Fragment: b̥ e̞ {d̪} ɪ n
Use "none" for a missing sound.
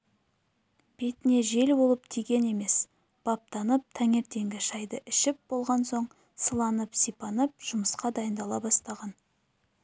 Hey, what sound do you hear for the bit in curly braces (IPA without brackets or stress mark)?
t̪